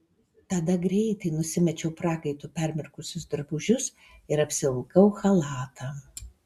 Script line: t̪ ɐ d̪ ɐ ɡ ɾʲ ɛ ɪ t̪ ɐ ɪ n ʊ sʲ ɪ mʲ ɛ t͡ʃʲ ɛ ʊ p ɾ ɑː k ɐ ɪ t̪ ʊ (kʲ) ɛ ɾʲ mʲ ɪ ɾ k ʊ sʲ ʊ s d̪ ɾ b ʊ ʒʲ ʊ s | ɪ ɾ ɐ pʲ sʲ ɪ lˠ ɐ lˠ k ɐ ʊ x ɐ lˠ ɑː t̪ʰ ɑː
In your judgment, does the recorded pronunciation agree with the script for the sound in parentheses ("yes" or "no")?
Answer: no